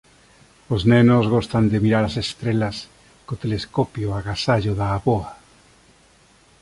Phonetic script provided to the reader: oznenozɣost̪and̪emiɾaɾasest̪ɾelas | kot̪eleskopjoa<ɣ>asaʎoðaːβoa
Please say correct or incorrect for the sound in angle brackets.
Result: correct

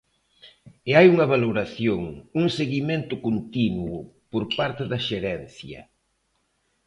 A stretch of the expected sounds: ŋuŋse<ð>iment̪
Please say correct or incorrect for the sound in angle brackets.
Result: incorrect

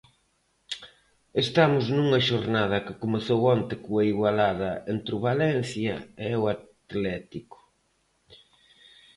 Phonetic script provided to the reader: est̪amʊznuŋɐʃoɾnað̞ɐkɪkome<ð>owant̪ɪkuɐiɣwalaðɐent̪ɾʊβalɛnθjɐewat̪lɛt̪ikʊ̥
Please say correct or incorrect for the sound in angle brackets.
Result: incorrect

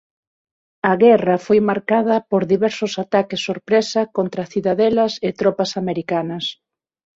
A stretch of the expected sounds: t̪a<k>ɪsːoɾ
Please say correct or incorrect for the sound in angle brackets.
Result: correct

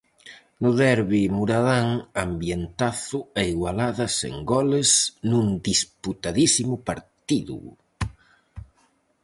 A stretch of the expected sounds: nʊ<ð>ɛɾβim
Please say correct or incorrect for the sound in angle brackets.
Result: correct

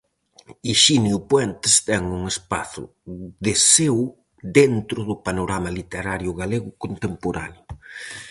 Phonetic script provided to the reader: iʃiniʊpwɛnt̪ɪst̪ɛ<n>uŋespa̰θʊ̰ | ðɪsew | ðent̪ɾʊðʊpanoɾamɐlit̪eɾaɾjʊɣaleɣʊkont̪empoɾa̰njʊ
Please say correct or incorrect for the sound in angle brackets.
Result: incorrect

